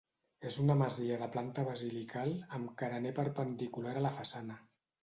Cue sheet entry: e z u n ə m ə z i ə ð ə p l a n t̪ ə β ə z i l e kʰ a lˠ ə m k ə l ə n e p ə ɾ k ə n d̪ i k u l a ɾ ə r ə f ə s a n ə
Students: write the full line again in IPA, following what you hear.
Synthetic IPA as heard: e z u n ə m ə z i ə ð ə p l a n t̪ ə β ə z i l i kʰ a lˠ ə m k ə ɾ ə n e p ə ɾ p ə n d̪ i k u l a ɾ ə l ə f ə s a n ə